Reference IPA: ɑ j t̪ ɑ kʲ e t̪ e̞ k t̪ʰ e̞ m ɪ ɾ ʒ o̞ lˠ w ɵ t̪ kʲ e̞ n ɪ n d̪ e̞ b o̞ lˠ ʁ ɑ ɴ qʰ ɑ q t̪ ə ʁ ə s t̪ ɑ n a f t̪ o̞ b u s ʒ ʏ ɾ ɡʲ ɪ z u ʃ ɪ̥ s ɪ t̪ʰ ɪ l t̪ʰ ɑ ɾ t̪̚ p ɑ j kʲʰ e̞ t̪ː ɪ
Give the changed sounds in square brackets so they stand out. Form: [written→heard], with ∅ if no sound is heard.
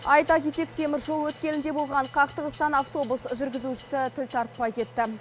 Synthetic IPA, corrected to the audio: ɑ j t̪ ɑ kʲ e t̪ e̞ k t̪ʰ e̞ m ɪ ɾ ʒ o̞ lˠ w ɵ t̪ kʲ e̞ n ɪ n d̪ e̞ b o̞ lˠ ʁ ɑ ɴ qʰ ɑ q t̪ ə ʁ ə s t̪ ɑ n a f t̪ o̞ b u s ʒ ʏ ɾ ɡʲ ɪ z u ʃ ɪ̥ s ɪ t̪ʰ ɪ l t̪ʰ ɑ ɾ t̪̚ p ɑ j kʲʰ e̞ t̪ː ɪ